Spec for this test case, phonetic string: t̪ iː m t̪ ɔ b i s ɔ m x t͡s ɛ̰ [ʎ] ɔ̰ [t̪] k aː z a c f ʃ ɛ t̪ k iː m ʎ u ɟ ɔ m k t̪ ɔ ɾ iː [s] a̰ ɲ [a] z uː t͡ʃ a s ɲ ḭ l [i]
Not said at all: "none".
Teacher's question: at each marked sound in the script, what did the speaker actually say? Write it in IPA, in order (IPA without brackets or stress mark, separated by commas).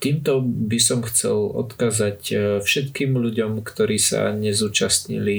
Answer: l, t̪, s, ɛ, i